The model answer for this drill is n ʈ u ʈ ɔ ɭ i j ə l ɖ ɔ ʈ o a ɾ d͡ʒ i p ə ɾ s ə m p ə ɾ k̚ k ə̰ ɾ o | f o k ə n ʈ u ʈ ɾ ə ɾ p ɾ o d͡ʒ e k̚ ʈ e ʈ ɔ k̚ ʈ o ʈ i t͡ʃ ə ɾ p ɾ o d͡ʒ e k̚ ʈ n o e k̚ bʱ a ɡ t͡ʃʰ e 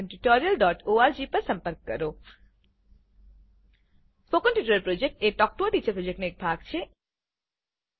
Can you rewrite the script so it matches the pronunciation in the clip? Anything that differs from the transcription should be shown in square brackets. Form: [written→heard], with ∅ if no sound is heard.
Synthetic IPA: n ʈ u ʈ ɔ [ɭ→ɾ] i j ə l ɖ ɔ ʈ o a ɾ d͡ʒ i p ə ɾ s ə m p ə ɾ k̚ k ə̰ ɾ o | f o k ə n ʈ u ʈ ɾ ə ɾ p ɾ o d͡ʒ e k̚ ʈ e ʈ ɔ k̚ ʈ o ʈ i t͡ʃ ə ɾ p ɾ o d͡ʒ e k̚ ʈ n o e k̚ bʱ a ɡ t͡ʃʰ e

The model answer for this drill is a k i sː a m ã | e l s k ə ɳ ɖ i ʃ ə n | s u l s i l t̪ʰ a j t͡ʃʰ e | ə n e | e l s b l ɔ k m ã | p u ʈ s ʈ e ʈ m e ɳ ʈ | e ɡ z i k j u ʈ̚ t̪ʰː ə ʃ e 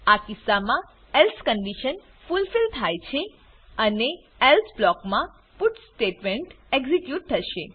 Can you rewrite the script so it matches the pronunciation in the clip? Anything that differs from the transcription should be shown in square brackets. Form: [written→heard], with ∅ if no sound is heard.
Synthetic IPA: a k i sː a m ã | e l s k ə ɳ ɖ i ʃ ə n | [s→f] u l [s→f] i l t̪ʰ a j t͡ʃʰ e | ə n e | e l s b l ɔ k m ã | p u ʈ s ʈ e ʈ m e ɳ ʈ | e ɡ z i k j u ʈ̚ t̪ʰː ə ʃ e

